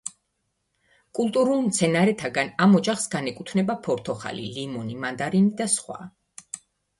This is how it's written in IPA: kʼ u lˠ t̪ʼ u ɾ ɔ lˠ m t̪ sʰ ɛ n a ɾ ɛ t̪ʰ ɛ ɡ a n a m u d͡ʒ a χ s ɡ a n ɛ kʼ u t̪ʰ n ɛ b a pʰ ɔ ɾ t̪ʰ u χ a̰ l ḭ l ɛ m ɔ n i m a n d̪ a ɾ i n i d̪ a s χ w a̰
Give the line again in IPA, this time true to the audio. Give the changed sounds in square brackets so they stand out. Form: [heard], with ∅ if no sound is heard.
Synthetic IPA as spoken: kʼ u lˠ t̪ʼ u ɾ [u] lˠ m t̪ sʰ ɛ n a ɾ ɛ t̪ʰ [a] ɡ a n a m [ɔ] d͡ʒ a χ s ɡ a n ɛ kʼ u t̪ʰ n ɛ b a pʰ ɔ ɾ t̪ʰ [ɔ] χ a̰ l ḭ l [i] m ɔ n i m a n d̪ a ɾ i n i d̪ a s χ w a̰